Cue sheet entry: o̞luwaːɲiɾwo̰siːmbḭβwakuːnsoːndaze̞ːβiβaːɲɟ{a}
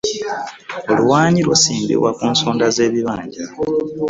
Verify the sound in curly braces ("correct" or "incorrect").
correct